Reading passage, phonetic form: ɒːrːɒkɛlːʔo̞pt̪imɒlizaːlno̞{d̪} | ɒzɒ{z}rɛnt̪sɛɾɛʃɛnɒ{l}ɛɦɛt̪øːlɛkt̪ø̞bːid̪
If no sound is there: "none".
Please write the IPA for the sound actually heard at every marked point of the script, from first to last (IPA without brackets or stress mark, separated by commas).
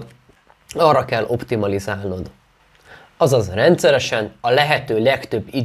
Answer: d̪, z, l